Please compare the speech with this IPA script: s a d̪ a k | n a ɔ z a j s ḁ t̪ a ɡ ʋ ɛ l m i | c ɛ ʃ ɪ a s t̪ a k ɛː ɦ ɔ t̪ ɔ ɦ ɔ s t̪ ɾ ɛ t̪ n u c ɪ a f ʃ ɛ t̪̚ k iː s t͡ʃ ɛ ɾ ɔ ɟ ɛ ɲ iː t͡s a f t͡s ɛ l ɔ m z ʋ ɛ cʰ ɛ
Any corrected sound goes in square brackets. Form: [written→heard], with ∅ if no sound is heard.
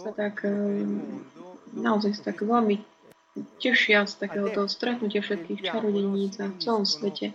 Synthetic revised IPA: s a [d̪→t̪] a k | n a ɔ z a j s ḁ t̪ a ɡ ʋ ɛ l m i | c ɛ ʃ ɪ a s t̪ a k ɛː ɦ ɔ t̪ ɔ ɦ ɔ s t̪ ɾ ɛ t̪ n u c ɪ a f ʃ ɛ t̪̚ k iː [s→x] t͡ʃ [ɛ→a] ɾ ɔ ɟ ɛ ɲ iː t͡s a f t͡s ɛ l ɔ m [z→s] ʋ ɛ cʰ ɛ